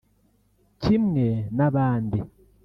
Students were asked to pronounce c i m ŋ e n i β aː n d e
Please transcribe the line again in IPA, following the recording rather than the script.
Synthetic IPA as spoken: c i m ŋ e n a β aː n d i